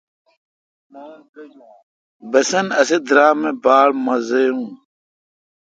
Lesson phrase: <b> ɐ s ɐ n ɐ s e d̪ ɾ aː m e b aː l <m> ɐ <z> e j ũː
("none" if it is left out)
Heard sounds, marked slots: b, m, z

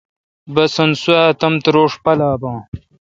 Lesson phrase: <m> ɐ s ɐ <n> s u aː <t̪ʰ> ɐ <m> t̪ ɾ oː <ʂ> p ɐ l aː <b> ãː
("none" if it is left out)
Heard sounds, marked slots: b, n, t̪, m, ʂ, b

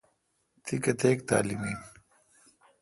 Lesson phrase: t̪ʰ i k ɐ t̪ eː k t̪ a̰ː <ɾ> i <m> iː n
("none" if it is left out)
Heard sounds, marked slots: l, m

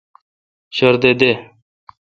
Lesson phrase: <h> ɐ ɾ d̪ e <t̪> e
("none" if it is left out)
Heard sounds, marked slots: ɕ, d̪

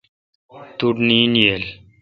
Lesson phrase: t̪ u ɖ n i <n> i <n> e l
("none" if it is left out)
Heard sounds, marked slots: n, none

